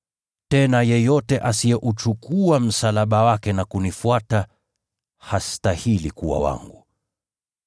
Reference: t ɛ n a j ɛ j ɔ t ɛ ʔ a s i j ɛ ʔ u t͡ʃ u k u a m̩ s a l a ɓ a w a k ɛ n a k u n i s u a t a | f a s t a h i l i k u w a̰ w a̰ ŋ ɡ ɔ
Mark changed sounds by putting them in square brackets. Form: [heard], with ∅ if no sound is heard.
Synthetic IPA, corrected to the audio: t ɛ n a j ɛ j ɔ t ɛ ʔ a s i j ɛ ʔ u t͡ʃ u k u a m̩ s a l a ɓ a w a k ɛ n a k u n i [f] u a t a | [h] a s t a h i l i k u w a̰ w a̰ ŋ ɡ [u]